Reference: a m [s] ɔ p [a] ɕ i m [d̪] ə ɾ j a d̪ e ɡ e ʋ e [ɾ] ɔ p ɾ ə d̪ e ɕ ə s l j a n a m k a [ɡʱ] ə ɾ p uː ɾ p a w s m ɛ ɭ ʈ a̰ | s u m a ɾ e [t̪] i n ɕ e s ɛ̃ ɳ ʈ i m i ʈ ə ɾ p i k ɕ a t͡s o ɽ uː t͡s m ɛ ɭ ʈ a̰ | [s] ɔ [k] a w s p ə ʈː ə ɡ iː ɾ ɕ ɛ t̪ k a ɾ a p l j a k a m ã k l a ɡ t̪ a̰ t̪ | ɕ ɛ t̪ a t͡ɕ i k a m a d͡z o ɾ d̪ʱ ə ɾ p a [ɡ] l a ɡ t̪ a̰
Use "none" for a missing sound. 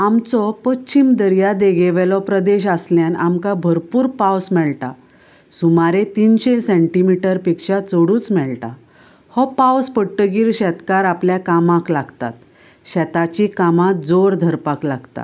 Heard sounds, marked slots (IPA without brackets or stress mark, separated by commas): t͡s, ə, d̪, l, bʱ, t̪, h, p, k